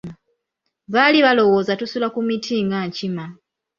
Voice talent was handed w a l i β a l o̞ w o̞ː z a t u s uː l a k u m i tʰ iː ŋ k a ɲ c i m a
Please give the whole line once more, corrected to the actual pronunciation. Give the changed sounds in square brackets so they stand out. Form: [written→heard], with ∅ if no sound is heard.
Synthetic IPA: [w→β] a l i β a l o̞ w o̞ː z a t u s [uː→u] l a k u m i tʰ iː ŋ [k→ɡ] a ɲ c i m a